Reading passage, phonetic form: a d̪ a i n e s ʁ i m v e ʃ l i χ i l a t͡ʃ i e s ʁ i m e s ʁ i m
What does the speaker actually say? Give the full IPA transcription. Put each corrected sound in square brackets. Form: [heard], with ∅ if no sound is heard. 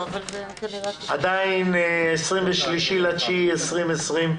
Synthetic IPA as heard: a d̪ a i n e s ʁ i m v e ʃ l i [ʃ] i l a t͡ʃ i e s ʁ i m e s ʁ i m